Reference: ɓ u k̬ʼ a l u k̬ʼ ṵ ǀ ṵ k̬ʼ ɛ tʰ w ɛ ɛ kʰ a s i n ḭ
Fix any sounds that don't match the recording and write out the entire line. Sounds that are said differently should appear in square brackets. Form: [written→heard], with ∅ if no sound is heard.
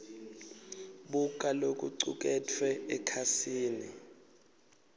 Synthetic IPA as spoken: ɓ u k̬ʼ a l [u→o] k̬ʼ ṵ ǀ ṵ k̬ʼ ɛ tʰ w ɛ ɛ kʰ a s [i→iː] n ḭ